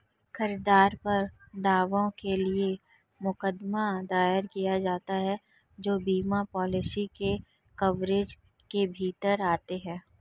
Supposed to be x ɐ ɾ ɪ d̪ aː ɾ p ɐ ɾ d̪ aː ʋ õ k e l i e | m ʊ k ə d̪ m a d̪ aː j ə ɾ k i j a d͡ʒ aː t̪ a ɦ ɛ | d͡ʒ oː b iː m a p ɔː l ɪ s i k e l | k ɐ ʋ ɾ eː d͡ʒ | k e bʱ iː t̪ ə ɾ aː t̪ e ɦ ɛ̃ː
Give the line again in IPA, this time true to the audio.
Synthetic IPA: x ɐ ɾ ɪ d̪ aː ɾ p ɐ ɾ d̪ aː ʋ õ k e l i e | m ʊ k ə d̪ m a d̪ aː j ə ɾ k i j a d͡ʒ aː t̪ a ɦ ɛ | d͡ʒ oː b iː m a p ɔː l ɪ s i k e | k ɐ ʋ ɾ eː d͡ʒ | k e bʱ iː t̪ ə ɾ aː t̪ e ɦ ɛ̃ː